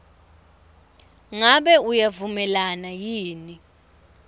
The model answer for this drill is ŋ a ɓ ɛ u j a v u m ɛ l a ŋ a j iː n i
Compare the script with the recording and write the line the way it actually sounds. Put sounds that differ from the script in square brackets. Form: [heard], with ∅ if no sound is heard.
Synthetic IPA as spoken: ŋ a ɓ ɛ u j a v u m ɛ l a [n] a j iː n i